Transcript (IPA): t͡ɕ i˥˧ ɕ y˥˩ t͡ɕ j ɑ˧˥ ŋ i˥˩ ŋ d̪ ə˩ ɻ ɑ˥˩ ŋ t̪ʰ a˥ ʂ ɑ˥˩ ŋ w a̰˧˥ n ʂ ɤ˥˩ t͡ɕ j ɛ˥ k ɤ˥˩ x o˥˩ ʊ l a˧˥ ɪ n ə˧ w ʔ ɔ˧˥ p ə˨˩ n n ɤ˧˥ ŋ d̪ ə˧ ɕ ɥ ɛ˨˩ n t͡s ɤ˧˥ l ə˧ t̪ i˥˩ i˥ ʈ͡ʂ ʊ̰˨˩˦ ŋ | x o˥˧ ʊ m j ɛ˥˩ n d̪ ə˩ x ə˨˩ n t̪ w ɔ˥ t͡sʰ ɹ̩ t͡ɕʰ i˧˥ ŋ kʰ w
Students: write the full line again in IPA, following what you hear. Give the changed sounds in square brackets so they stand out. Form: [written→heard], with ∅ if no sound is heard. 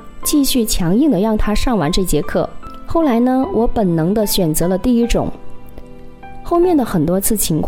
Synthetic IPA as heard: t͡ɕ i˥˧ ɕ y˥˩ [t͡ɕ→t͡ɕʰ] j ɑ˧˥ ŋ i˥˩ ŋ d̪ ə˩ ɻ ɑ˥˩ ŋ t̪ʰ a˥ ʂ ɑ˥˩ ŋ w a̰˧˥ n [ʂ→ʈ͡ʂ] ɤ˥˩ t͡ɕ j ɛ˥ [k→kʰ] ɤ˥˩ x o˥˩ ʊ l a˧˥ ɪ n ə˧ w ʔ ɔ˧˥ p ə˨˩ n n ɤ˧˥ ŋ d̪ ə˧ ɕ ɥ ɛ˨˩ n t͡s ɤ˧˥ l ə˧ t̪ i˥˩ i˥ ʈ͡ʂ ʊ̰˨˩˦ ŋ | x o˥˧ ʊ m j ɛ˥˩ n d̪ ə˩ x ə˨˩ n t̪ w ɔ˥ t͡sʰ ɹ̩ t͡ɕʰ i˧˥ ŋ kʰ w